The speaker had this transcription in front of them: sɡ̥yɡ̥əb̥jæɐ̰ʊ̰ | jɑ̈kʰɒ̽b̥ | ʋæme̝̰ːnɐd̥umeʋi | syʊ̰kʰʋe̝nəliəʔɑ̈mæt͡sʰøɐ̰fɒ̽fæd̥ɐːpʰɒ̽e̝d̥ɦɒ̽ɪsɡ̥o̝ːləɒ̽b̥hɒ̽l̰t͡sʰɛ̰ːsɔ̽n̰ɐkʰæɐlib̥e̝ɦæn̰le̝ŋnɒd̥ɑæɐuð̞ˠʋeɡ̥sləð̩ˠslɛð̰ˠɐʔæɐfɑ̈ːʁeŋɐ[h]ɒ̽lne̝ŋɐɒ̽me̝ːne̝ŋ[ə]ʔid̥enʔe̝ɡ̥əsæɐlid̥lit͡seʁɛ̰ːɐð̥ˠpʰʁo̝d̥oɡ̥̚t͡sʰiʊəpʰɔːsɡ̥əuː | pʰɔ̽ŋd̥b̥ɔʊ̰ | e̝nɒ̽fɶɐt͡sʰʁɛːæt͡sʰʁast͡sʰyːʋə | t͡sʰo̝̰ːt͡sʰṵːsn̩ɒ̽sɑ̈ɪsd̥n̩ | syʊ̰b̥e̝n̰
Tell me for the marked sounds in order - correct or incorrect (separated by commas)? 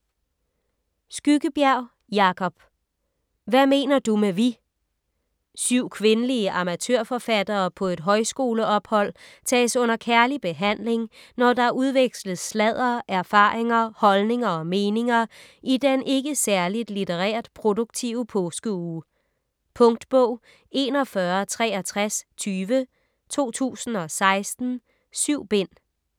correct, incorrect